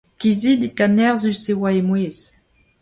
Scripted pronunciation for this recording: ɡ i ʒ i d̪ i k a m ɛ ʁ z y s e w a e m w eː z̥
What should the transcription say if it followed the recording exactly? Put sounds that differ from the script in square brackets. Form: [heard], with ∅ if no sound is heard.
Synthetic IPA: [k] i [z] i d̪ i k a [n] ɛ ʁ z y s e w a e m w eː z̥